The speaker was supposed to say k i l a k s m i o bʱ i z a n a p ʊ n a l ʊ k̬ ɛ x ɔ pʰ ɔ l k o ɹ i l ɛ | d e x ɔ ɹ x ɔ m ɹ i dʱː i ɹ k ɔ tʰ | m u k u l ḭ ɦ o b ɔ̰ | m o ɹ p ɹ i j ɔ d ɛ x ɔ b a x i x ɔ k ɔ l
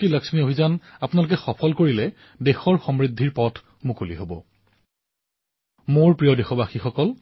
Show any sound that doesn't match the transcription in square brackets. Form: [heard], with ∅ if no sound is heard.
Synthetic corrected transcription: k i l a k s m i o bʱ i z a n a p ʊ n a l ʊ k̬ ɛ x ɔ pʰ ɔ l k o ɹ i l ɛ | d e x ɔ ɹ x ɔ m ɹ i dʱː i ɹ [p] ɔ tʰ | m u k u l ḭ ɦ o b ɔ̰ | m o ɹ p ɹ i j ɔ d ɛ x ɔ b a x i x ɔ k ɔ l